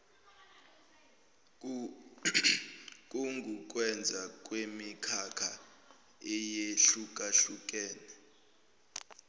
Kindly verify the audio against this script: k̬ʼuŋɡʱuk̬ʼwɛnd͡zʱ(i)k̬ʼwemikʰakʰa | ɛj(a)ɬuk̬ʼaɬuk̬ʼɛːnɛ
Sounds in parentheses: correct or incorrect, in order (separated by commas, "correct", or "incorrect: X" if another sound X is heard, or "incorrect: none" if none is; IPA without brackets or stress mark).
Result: incorrect: a, incorrect: e